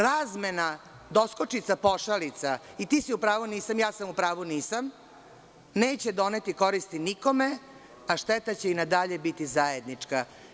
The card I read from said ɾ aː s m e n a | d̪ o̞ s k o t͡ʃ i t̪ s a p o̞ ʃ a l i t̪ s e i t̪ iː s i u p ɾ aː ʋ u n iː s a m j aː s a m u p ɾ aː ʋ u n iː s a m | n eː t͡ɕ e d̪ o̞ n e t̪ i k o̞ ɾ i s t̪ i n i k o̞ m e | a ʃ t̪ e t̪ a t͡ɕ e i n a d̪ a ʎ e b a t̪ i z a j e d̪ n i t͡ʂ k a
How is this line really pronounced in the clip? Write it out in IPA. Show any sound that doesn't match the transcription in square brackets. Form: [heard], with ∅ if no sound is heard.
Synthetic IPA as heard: ɾ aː [z] m e n a | d̪ o̞ s k o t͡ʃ i t̪ s a p o̞ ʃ a l i t̪ s [a] i t̪ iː s i u p ɾ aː ʋ u n iː s a m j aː s a m u p ɾ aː ʋ u n iː s a m | n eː t͡ɕ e d̪ o̞ n e t̪ i k o̞ ɾ i s t̪ i n i k o̞ m e | a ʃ t̪ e t̪ a t͡ɕ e i n a d̪ a ʎ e b [i] t̪ i z a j e d̪ n i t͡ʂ k a